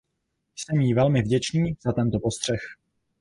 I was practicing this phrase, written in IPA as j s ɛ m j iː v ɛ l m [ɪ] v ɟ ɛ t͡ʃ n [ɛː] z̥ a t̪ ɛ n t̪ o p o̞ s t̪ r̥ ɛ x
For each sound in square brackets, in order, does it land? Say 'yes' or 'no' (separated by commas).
yes, no